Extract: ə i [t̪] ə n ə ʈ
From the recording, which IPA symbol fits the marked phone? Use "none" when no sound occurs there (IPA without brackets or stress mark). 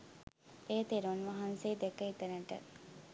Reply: t̪